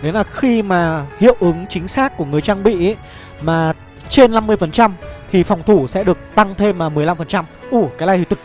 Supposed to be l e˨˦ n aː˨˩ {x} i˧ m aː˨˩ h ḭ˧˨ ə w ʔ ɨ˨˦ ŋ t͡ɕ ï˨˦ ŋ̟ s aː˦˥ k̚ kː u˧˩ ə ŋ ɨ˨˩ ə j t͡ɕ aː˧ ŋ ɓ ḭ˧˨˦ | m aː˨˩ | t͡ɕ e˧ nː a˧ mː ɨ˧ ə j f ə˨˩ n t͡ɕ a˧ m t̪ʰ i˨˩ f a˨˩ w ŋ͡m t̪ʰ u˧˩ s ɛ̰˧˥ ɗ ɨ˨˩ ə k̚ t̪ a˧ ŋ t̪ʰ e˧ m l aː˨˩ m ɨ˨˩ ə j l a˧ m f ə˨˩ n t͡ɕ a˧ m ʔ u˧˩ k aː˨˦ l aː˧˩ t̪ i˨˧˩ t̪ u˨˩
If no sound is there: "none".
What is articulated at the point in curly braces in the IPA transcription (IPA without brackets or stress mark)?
x